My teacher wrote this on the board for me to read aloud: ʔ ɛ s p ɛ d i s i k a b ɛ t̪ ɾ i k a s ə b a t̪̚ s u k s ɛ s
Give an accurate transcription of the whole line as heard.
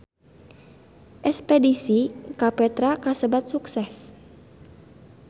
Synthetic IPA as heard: ʔ ɛ s p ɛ d i s i k a p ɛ t̪ ɾ a k a s ə b a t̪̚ s u k s ɛ s

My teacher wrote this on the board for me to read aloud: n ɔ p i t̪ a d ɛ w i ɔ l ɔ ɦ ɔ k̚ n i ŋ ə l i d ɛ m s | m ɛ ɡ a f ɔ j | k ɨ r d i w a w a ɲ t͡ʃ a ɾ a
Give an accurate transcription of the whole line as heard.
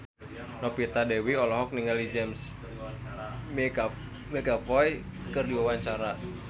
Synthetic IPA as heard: n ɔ p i t̪ a d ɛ w i ɔ l ɔ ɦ ɔ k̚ n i ŋ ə l i d͡ʒ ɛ m s | m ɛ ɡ a f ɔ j | k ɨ r d i w a w a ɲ t͡ʃ a ɾ a

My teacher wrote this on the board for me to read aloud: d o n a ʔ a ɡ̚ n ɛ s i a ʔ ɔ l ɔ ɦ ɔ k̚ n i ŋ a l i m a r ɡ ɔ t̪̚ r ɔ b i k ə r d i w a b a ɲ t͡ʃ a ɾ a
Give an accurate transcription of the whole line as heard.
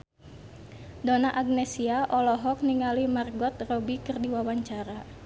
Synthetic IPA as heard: d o n a ʔ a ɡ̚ n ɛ s i a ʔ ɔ l ɔ ɦ ɔ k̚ n i ŋ a l i m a r ɡ ɔ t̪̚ r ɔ b i k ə r d i w a w a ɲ t͡ʃ a ɾ a

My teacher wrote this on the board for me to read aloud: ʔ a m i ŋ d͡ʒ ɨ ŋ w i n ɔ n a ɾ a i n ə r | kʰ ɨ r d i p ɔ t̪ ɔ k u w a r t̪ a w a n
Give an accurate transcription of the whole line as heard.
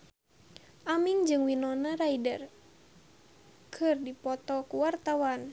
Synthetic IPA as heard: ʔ a m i ŋ d͡ʒ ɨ ŋ w i n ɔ n a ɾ a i d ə r | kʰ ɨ r d i p ɔ t̪ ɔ k u w a r t̪ a w a n

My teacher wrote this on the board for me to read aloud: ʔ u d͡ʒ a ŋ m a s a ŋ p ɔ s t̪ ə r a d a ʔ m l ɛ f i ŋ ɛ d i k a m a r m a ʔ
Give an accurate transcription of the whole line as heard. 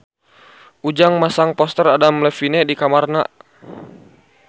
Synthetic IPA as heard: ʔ u d͡ʒ a ŋ m a s a ŋ p ɔ s t̪ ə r a d a m l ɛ f i n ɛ d i k a m a r n a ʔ

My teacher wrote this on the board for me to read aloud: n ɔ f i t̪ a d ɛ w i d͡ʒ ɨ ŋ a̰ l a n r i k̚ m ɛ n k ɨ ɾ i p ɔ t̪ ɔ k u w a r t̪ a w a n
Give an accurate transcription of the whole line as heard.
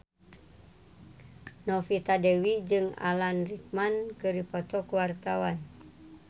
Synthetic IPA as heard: n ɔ f i t̪ a d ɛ w i d͡ʒ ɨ ŋ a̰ l a n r i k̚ m a n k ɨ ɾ i p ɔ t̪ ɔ k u w a r t̪ a w a n

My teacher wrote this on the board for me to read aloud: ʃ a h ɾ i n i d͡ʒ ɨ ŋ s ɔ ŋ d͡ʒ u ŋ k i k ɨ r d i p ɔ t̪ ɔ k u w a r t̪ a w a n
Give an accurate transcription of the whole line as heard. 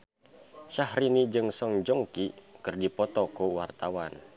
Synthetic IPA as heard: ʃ a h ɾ i n i d͡ʒ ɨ ŋ s ɔ ŋ d͡ʒ ɔ ŋ k i k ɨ r d i p ɔ t̪ ɔ k u w a r t̪ a w a n

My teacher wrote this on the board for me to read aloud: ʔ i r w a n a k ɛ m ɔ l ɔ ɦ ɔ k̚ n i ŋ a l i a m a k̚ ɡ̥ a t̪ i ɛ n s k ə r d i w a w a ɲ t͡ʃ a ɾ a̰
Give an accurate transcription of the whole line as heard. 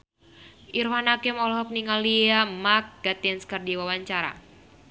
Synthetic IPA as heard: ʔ i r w a n a k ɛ m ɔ l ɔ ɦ ɔ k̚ n i ŋ a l i a m a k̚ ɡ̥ a t̪ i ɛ n s k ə r d i w a w a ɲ t͡ʃ a ɾ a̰

